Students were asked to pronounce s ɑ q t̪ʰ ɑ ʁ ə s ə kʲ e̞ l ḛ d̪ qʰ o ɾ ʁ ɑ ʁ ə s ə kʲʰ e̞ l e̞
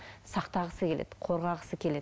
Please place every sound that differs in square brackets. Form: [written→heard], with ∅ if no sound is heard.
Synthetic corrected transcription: s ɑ q [t̪ʰ→t̪] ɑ ʁ ə s ə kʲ e̞ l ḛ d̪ qʰ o ɾ ʁ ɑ ʁ ə s ə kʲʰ e̞ l e̞